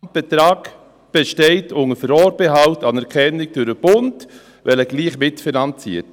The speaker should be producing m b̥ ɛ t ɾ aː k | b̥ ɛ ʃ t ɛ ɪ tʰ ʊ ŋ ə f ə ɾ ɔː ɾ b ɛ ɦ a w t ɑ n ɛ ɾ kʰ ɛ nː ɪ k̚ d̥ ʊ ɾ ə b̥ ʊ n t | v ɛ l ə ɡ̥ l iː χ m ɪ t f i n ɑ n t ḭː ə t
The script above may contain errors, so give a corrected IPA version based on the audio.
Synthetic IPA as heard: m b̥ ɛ t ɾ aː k | b̥ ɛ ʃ t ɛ ɪ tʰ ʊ ŋ ə f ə ɾ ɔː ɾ b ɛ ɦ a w t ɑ n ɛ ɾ kʰ ɛ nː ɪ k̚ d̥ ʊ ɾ ə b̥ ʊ n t | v ɛ l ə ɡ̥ l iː χ m ɪ t f i n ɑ n t͡s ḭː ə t